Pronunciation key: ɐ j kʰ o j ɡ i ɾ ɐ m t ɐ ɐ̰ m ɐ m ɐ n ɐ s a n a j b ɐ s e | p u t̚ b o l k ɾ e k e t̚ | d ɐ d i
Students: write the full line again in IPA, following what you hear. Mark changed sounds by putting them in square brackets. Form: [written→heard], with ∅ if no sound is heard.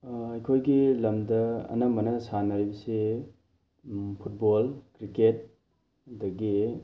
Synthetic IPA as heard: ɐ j kʰ o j ɡ i [ɾ→l] ɐ m [t→d] ɐ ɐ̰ [m→n] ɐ m ɐ n ɐ s a n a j b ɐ s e | [p→pʰ] u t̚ b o l k ɾ [e→i] k e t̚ | d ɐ [d→ɡ] i